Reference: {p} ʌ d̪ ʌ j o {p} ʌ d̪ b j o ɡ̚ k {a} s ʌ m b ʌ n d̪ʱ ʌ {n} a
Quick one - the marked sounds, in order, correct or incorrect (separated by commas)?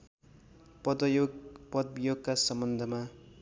correct, correct, correct, incorrect